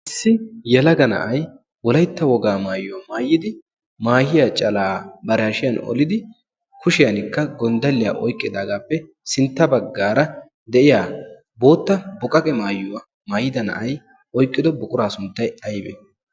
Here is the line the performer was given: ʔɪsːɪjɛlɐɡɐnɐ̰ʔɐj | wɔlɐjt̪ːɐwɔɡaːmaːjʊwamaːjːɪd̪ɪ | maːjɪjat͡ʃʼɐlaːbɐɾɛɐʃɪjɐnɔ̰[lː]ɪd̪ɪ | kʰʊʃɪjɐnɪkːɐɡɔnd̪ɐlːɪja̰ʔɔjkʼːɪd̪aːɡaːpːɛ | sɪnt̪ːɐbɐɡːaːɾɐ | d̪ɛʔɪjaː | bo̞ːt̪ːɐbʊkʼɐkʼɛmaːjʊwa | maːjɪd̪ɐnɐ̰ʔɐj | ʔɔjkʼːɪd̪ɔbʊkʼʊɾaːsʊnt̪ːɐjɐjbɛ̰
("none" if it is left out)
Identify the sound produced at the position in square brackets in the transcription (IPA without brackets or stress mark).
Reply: l